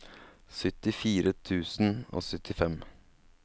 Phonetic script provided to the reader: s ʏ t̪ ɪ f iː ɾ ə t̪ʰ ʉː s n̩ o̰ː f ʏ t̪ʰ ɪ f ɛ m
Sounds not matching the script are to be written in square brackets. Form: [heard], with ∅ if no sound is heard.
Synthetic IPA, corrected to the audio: s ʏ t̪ ɪ f iː ɾ ə t̪ʰ ʉː s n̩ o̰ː [s] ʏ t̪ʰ ɪ f ɛ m